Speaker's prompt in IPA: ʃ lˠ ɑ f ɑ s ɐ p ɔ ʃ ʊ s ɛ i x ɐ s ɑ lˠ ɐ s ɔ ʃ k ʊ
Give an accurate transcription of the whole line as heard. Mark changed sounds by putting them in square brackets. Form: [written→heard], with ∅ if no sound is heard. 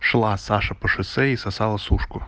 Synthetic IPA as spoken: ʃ lˠ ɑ [f→s] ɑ [s→ʃ] ɐ p ɔ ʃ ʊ s ɛ i [x→s] ɐ s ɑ lˠ ɐ s [ɔ→u] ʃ k ʊ